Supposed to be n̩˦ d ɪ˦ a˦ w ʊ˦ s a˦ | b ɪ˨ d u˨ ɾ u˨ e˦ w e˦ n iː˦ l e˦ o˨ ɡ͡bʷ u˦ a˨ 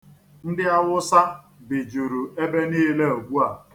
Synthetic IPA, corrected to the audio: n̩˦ d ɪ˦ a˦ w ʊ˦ s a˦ | b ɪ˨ d͡ʒ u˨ ɾ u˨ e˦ b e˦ n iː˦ l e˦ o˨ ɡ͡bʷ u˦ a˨